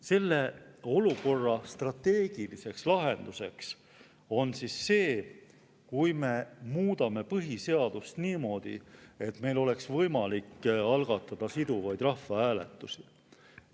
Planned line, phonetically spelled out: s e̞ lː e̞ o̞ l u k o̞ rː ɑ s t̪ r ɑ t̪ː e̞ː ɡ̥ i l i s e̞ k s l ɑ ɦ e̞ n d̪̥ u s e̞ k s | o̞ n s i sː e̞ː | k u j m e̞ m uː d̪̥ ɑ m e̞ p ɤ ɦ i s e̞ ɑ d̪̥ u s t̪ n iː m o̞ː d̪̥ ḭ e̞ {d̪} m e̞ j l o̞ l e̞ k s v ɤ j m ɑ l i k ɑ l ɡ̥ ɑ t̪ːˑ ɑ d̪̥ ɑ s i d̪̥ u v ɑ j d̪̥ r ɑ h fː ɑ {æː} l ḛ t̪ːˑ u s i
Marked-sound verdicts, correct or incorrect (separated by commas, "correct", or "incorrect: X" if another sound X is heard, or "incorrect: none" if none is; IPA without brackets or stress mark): incorrect: t̪, correct